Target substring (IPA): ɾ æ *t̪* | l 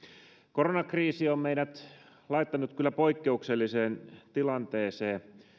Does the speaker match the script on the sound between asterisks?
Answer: yes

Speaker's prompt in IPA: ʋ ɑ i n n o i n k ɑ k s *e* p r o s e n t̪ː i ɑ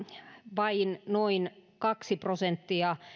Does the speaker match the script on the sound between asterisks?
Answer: no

